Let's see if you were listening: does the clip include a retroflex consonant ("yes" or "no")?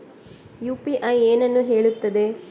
yes